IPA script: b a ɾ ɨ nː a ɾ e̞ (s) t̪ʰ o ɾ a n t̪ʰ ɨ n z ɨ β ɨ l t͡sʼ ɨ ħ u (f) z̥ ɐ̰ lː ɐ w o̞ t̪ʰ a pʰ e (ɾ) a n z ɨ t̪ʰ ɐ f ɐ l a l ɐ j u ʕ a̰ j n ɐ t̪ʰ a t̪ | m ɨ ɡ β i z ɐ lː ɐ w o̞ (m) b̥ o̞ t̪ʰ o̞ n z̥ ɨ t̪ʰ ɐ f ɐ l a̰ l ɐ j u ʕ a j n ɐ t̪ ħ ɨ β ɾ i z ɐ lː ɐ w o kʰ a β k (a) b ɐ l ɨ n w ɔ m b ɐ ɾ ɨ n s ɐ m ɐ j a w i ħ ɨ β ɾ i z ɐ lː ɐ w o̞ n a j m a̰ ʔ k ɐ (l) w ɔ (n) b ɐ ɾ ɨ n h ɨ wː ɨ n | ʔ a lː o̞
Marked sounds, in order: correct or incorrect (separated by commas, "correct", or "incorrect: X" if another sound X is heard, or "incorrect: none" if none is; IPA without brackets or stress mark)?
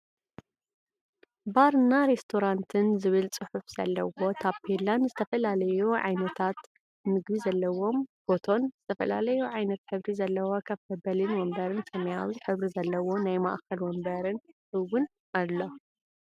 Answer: correct, correct, incorrect: l, correct, incorrect: ɐ, correct, incorrect: m